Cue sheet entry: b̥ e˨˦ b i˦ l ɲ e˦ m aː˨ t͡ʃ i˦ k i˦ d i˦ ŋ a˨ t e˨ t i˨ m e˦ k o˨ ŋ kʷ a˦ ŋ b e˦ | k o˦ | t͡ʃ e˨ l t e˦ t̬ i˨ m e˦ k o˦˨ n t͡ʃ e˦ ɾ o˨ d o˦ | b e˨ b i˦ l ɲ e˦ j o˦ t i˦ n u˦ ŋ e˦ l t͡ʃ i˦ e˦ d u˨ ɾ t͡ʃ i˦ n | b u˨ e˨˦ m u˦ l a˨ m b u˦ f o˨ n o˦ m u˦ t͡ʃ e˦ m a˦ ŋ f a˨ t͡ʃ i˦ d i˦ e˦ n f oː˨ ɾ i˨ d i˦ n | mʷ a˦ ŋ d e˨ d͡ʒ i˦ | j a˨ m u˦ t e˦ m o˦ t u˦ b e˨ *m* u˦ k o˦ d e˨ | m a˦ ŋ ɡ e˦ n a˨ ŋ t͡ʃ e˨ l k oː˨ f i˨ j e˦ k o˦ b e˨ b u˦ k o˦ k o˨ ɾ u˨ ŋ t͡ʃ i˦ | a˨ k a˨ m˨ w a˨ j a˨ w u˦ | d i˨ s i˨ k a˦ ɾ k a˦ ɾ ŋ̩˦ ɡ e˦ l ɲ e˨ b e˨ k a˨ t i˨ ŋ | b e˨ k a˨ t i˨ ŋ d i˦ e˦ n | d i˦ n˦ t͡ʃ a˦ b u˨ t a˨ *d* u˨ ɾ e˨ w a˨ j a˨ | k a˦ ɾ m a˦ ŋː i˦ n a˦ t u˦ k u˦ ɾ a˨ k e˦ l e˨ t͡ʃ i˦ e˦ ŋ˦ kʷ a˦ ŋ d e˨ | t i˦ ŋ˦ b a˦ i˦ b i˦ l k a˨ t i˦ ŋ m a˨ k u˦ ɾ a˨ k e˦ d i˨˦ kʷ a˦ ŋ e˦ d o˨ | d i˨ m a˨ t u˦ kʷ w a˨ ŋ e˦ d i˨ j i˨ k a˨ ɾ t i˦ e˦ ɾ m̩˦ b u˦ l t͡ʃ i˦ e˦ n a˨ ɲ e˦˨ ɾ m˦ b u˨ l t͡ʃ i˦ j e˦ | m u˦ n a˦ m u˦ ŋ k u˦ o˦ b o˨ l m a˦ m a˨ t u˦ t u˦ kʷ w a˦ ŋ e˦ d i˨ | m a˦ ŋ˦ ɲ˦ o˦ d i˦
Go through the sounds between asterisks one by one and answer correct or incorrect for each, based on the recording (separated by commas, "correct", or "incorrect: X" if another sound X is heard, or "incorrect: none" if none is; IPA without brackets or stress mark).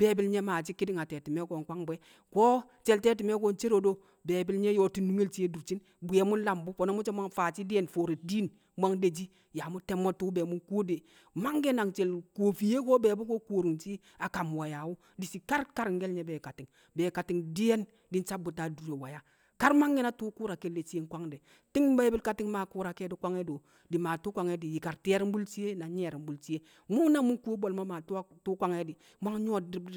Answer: correct, correct